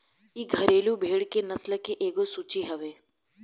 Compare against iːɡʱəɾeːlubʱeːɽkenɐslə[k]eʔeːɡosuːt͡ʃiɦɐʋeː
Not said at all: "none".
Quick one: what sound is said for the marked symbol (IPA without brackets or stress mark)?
k